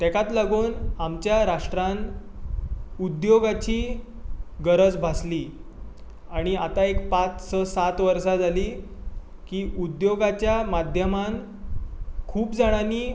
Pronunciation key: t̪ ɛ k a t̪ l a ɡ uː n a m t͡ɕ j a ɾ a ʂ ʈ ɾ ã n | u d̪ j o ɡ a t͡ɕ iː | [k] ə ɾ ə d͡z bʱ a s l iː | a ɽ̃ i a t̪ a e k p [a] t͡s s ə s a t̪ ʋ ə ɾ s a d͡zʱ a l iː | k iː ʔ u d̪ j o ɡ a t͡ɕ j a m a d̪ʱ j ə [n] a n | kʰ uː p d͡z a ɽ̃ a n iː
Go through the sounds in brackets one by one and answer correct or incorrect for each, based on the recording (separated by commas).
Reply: incorrect, correct, incorrect